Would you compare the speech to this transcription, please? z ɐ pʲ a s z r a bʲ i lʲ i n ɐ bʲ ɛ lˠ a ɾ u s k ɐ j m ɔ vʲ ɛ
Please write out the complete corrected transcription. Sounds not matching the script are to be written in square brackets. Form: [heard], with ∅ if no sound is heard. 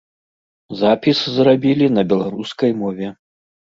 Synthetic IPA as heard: z [a] pʲ [i] s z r a bʲ i lʲ i n ɐ bʲ ɛ lˠ a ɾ u s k ɐ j m ɔ vʲ ɛ